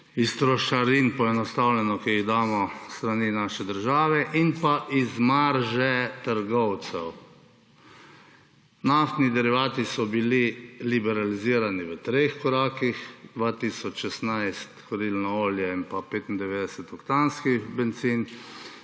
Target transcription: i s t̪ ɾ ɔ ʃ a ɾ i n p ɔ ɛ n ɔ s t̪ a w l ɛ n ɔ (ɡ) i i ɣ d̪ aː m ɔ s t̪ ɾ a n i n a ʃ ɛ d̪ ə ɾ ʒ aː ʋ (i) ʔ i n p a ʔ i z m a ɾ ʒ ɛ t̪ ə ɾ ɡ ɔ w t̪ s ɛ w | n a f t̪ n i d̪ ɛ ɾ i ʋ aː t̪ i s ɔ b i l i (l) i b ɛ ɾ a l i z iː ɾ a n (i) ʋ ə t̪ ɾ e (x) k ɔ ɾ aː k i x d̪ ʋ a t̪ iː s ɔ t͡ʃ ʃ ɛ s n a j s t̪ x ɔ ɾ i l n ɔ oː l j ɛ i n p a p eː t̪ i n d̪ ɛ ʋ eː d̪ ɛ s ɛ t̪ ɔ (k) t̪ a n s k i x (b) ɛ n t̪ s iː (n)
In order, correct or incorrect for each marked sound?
incorrect: k, incorrect: ɛ, correct, correct, correct, correct, correct, correct

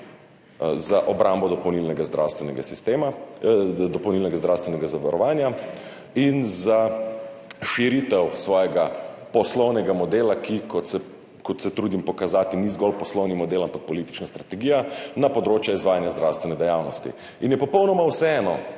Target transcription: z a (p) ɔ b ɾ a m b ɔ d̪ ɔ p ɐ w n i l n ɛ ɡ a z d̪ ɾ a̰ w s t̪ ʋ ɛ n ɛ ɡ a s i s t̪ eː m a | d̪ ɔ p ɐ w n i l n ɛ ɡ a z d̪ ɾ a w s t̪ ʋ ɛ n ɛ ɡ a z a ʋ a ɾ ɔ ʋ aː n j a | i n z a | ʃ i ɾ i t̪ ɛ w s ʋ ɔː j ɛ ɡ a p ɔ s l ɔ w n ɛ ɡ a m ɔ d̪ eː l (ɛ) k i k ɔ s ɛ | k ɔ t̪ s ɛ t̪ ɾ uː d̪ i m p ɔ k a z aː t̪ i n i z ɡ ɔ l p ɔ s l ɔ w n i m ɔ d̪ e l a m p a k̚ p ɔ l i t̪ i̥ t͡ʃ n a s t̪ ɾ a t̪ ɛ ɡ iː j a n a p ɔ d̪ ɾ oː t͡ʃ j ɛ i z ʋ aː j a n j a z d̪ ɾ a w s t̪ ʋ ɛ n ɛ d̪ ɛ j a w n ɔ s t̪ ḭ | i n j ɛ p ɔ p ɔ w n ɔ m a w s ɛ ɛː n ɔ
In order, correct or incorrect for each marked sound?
incorrect: ʔ, incorrect: a

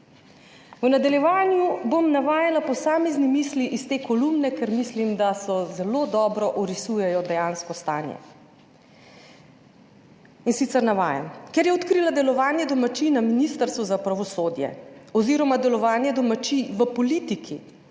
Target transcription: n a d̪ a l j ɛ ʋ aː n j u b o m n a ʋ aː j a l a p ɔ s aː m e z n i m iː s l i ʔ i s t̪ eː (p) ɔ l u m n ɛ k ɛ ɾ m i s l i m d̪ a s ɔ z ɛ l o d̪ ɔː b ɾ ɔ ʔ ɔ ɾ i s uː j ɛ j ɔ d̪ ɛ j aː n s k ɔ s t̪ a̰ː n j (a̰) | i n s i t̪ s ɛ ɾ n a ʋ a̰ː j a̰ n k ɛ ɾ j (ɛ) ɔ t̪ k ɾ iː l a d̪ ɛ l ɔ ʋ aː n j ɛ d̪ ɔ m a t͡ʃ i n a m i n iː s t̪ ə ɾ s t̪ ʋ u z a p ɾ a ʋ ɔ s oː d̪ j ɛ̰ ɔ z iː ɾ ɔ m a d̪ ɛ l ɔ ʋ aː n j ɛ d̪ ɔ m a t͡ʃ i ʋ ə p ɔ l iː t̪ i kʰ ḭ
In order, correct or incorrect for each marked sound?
incorrect: k, incorrect: ɛ̰, correct

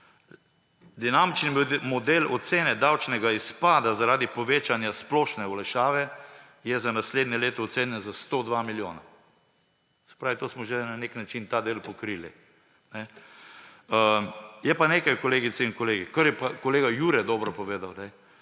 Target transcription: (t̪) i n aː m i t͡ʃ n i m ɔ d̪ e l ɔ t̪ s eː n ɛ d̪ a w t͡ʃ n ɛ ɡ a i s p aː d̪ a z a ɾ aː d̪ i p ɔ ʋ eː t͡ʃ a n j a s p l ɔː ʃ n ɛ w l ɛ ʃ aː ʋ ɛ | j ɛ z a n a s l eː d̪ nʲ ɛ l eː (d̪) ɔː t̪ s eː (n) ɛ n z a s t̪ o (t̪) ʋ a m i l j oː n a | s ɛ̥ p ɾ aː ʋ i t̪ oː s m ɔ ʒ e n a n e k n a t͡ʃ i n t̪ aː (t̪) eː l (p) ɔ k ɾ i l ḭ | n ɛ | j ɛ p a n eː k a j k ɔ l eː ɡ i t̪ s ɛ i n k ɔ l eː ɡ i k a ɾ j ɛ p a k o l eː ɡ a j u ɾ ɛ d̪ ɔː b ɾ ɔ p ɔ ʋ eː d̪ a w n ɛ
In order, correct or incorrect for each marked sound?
incorrect: d̪, incorrect: t̪, correct, incorrect: d̪, incorrect: d̪, correct

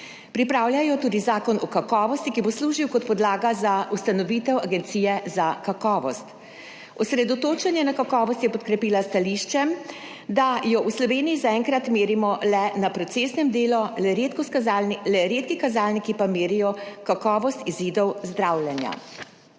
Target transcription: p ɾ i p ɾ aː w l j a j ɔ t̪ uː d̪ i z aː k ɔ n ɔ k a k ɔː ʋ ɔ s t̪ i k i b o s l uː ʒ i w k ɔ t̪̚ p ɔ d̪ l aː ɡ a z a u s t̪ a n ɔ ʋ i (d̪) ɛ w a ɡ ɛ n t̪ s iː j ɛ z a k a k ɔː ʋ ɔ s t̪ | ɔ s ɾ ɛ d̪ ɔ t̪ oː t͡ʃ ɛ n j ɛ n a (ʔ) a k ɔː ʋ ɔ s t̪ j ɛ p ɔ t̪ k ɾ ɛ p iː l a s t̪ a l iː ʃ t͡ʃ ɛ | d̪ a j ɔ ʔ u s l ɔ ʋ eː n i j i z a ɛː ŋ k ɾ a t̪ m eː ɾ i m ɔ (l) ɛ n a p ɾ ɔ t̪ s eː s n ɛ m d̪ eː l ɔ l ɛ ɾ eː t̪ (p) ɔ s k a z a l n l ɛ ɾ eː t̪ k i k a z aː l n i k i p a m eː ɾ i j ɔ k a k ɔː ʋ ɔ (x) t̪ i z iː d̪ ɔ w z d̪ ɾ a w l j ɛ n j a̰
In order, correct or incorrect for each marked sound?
incorrect: t̪, incorrect: k, correct, incorrect: k, incorrect: s

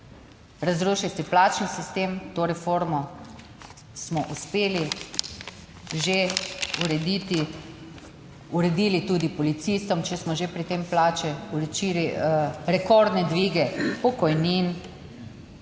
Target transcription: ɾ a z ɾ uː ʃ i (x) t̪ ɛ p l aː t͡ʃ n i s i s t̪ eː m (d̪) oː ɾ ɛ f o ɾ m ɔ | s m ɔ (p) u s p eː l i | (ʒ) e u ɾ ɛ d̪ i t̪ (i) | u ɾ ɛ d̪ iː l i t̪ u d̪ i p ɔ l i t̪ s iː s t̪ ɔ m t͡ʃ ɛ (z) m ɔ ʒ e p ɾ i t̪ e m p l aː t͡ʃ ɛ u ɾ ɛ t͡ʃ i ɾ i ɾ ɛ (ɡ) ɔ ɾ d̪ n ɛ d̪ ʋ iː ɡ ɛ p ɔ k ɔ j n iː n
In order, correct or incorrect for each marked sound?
incorrect: s, incorrect: t̪, incorrect: ʔ, correct, correct, incorrect: s, incorrect: k

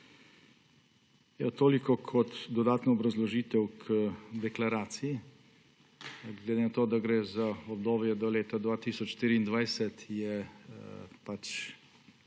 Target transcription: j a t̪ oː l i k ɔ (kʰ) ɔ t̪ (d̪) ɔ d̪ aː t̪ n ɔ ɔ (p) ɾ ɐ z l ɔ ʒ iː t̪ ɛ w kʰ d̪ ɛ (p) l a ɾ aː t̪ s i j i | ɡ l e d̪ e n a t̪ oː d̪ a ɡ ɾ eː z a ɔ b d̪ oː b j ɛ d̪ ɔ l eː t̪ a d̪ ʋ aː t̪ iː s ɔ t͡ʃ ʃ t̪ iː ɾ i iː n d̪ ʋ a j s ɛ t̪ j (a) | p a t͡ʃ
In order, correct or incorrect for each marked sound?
correct, correct, incorrect: b, incorrect: k, incorrect: ɛ

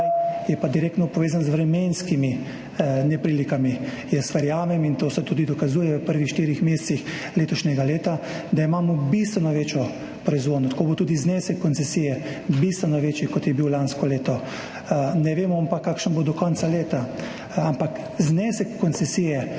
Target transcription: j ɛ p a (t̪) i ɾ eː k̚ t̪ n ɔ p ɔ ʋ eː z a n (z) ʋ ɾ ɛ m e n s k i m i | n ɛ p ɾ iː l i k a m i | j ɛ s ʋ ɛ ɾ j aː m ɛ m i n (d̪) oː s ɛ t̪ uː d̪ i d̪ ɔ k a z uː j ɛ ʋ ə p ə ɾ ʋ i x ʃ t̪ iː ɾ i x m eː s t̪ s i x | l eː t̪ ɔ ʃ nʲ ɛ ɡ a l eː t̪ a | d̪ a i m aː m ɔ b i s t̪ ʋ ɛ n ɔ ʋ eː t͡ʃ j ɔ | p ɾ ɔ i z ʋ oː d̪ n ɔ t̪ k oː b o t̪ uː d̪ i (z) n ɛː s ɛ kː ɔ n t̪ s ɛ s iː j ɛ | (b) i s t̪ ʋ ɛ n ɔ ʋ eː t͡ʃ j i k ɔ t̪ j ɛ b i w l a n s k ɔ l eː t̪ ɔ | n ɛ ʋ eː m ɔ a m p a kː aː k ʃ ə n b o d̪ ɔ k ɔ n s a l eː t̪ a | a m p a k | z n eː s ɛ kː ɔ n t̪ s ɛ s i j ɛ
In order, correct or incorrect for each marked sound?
incorrect: d̪, correct, incorrect: t̪, correct, correct

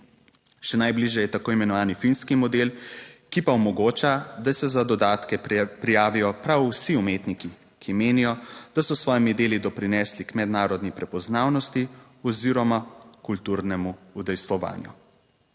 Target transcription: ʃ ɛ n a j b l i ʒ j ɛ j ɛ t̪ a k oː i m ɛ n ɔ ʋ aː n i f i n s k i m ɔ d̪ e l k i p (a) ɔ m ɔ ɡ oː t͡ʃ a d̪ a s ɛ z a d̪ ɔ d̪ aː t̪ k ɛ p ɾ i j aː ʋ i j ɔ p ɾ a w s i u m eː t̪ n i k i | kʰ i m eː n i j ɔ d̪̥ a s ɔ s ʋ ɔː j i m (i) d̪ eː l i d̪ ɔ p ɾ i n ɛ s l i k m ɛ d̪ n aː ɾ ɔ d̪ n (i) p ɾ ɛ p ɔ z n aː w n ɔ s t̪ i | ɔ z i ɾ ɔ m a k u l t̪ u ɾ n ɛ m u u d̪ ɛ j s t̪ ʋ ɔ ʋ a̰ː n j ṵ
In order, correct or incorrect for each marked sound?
correct, correct, correct

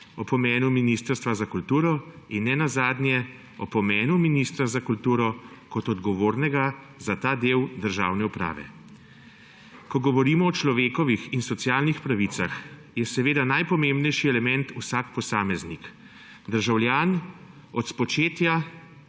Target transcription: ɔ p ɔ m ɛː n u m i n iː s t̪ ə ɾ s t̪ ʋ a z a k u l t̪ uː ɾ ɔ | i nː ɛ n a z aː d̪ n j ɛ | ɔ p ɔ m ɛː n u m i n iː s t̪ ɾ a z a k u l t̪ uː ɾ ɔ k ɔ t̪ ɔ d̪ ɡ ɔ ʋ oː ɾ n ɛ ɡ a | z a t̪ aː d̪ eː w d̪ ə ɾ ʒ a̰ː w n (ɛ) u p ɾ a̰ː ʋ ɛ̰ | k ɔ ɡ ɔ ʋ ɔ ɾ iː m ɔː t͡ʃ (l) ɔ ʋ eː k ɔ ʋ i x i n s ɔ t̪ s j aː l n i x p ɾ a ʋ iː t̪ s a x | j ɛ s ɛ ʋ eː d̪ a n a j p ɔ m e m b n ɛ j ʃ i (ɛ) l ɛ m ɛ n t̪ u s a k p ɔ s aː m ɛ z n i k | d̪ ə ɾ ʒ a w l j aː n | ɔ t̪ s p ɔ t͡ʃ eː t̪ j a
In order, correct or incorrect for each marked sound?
correct, correct, correct

